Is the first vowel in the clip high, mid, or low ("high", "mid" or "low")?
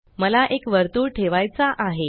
mid